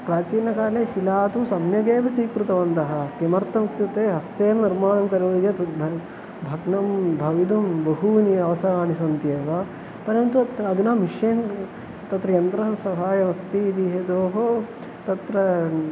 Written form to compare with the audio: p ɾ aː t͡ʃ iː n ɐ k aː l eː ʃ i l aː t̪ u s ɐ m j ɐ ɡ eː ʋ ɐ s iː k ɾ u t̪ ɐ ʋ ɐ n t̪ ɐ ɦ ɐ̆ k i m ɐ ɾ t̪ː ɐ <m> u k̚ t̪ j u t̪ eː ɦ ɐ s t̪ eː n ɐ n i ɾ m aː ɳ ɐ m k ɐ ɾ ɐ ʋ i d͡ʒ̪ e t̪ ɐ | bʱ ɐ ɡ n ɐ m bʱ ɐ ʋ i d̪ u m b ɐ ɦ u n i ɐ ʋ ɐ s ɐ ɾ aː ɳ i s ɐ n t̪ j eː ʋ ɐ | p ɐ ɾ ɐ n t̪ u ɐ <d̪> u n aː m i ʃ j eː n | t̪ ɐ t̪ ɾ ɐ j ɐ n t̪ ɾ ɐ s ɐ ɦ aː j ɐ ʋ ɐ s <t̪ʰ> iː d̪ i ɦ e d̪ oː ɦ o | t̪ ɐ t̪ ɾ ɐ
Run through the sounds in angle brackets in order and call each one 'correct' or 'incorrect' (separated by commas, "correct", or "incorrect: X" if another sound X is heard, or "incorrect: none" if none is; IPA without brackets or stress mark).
correct, correct, incorrect: t̪